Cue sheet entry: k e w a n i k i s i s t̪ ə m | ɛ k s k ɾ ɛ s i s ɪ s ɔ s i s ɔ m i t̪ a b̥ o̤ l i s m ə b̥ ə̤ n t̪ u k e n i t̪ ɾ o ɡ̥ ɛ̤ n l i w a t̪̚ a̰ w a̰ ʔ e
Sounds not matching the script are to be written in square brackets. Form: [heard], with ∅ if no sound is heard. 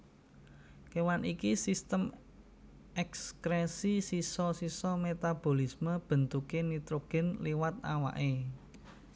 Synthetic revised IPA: k e w a n i k i s i s t̪ ə m | ɛ k s k ɾ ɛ s i s [i] s ɔ s i s ɔ m [e] t̪ a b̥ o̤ l i s m ə b̥ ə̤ n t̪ u k e n i t̪ ɾ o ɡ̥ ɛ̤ n l i w a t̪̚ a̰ w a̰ ʔ e